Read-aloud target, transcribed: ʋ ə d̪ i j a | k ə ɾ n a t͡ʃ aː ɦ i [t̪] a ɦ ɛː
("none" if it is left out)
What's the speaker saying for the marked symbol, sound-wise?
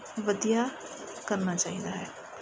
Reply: d̪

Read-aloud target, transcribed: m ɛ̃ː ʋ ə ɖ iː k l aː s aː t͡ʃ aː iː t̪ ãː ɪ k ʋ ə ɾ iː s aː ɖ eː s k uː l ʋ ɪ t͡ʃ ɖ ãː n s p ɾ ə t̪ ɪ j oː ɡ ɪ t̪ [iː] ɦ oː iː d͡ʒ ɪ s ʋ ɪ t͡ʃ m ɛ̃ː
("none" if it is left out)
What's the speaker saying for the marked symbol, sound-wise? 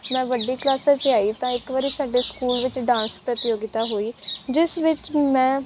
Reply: aː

